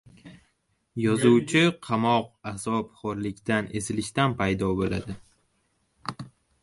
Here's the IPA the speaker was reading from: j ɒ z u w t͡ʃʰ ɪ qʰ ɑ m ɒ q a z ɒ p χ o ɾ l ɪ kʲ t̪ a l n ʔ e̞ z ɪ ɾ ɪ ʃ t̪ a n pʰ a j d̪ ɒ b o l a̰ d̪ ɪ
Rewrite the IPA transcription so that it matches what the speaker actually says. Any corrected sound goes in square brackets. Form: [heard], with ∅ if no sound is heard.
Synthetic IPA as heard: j ɒ z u w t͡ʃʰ ɪ qʰ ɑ m ɒ q a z ɒ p χ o ɾ l ɪ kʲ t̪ a [∅] n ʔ e̞ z ɪ [l] ɪ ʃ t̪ a n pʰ a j d̪ ɒ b o l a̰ d̪ ɪ